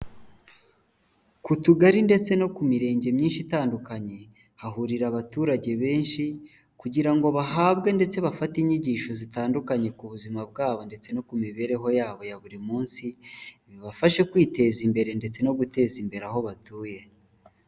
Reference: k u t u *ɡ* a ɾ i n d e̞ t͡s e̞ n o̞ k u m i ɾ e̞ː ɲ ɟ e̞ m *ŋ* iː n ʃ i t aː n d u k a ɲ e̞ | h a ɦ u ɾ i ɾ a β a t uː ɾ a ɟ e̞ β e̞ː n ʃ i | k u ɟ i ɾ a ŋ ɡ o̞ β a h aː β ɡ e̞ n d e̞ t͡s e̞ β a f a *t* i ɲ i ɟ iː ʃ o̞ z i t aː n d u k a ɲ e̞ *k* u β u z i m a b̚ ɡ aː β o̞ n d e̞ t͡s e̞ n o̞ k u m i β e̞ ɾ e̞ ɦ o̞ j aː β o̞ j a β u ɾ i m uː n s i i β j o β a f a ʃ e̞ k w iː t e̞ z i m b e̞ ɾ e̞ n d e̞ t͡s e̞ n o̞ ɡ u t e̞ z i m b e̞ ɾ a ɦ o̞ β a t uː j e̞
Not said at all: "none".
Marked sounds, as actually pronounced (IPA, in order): ɡ, ɲ, t, k

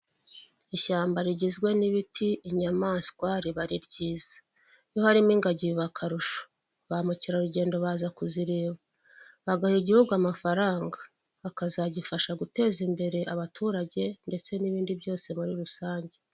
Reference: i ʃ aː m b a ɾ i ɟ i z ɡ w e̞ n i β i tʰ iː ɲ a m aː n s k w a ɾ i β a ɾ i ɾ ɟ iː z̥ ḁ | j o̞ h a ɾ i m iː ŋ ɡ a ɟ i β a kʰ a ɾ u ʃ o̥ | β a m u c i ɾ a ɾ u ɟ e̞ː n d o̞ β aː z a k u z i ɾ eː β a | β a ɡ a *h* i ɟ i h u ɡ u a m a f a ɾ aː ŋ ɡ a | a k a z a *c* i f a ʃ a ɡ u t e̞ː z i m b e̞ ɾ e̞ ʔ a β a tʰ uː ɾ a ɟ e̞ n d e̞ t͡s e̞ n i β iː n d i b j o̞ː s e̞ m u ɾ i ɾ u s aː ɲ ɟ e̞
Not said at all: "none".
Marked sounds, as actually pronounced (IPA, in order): h, ɟ

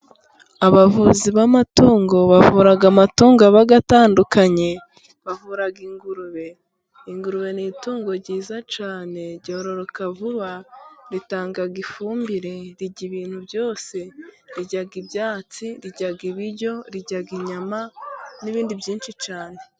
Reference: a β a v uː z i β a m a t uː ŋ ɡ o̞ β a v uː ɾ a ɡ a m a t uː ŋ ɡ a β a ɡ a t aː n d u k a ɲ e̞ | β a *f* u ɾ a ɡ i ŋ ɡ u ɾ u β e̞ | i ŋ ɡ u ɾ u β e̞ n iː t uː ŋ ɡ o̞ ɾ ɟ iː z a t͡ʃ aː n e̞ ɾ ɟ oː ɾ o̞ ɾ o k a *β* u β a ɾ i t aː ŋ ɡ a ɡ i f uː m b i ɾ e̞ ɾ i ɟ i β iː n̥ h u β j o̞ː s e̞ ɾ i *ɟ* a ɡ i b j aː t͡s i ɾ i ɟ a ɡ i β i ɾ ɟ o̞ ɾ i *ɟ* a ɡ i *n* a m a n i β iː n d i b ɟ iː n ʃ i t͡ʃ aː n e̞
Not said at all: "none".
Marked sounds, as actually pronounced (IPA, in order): v, v, ɟ, ɟ, ɲ

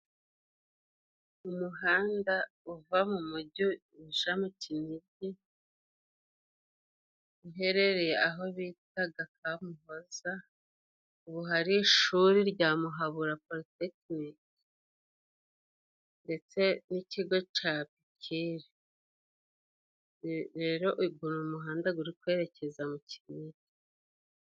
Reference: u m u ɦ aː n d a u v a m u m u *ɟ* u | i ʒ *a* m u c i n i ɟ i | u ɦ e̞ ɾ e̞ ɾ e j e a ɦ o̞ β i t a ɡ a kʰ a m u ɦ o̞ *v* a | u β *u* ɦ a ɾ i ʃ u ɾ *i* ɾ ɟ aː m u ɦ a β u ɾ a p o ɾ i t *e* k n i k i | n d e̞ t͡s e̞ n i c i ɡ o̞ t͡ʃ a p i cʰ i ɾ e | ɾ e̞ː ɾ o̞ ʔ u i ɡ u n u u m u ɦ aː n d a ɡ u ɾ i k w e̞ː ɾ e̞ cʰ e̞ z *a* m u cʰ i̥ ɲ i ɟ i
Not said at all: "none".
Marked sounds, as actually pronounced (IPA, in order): ɟ, a, z, u, i, e, a

